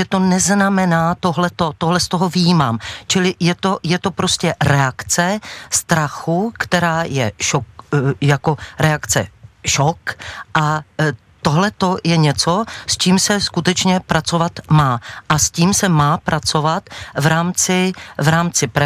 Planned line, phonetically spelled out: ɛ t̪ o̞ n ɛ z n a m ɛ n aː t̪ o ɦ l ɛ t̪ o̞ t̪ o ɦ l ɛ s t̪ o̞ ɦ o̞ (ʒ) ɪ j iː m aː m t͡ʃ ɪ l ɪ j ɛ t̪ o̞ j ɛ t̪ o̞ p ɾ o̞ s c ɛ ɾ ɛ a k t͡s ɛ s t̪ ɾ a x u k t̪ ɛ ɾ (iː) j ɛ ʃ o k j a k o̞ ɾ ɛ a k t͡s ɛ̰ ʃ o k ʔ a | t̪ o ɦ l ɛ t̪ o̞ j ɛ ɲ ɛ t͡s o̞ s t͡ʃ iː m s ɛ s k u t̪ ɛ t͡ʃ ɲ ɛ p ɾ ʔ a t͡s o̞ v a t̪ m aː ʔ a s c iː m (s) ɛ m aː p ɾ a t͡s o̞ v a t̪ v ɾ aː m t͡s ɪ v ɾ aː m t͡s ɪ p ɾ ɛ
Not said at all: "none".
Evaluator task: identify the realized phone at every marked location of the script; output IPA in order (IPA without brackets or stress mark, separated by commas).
v, aː, s